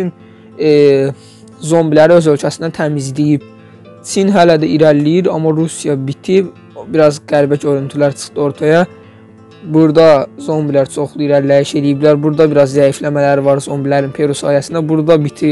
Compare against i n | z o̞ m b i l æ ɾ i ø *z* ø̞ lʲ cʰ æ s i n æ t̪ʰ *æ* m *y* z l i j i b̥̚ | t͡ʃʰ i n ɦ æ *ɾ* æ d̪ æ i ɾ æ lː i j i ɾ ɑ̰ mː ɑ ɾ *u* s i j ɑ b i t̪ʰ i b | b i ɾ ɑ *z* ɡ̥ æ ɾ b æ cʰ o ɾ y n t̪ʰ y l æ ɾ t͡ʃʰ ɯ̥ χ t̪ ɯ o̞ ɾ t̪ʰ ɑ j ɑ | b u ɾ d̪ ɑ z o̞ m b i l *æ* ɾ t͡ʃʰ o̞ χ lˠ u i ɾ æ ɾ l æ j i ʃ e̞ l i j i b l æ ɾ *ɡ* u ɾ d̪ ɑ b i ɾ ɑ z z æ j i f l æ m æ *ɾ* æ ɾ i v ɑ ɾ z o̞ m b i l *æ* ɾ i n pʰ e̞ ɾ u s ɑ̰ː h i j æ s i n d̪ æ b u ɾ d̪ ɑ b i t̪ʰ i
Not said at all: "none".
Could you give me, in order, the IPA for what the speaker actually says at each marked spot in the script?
z, æ, i, l, u, z, æ, b, l, æ

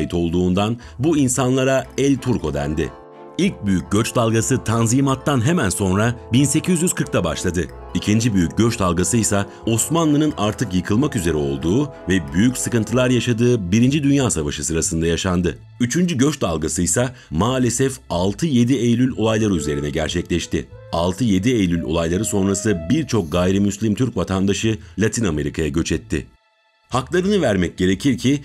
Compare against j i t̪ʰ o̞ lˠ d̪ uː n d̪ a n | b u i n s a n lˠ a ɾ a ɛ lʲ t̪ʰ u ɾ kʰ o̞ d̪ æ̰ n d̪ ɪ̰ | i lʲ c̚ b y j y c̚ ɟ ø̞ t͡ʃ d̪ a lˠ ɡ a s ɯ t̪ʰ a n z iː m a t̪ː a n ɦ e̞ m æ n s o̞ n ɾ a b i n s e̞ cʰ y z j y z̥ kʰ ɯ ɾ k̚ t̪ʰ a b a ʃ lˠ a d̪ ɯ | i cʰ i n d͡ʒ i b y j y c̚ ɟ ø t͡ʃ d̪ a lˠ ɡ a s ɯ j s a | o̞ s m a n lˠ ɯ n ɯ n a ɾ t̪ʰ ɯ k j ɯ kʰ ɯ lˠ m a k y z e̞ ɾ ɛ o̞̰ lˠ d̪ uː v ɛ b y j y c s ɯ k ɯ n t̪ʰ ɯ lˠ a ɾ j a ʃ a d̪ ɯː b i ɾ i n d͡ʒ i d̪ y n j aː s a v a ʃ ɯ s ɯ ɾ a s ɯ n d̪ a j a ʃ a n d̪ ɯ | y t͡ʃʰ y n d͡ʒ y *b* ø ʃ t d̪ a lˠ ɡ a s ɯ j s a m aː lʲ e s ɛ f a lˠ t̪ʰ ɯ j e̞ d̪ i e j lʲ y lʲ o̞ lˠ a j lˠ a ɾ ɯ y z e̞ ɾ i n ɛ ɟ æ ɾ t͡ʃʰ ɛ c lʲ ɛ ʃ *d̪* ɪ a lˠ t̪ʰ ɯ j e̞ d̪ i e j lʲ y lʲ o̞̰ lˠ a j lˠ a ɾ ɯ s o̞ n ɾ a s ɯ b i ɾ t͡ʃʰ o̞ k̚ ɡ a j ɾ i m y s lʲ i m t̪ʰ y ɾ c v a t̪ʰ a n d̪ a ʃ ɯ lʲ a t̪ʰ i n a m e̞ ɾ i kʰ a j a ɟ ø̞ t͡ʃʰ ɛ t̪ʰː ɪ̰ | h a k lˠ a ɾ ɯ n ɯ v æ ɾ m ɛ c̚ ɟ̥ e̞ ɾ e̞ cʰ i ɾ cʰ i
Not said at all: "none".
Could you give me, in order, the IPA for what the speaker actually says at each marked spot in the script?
ɟ, t̪

